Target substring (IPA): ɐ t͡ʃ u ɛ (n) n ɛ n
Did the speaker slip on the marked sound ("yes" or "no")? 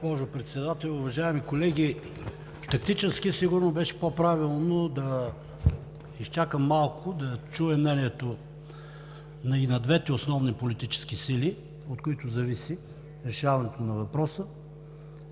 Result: yes